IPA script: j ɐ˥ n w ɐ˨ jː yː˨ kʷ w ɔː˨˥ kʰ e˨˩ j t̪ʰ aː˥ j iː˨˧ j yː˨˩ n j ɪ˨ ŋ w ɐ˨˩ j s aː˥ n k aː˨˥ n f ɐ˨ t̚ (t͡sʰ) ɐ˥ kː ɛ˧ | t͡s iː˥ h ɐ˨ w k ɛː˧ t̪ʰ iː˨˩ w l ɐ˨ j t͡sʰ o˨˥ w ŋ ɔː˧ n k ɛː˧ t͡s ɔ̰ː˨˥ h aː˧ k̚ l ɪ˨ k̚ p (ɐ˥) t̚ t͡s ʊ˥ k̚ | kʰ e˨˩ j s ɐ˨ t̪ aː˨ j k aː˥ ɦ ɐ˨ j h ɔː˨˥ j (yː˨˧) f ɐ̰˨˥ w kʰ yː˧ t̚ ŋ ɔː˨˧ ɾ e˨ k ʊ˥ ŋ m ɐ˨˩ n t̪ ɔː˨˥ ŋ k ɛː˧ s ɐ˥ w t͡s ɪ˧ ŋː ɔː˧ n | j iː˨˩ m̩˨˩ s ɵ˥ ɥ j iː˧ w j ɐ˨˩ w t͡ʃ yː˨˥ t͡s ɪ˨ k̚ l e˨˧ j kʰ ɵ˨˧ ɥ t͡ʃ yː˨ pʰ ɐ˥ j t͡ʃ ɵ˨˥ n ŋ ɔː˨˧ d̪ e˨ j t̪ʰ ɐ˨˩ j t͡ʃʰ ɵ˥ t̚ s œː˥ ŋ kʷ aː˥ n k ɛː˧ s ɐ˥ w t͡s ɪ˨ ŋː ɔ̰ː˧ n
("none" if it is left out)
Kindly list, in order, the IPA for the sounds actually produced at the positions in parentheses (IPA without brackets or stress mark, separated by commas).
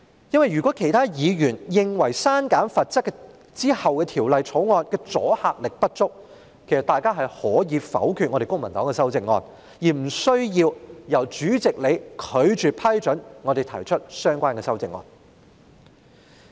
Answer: t͡s, ɐ˥, iː˨˧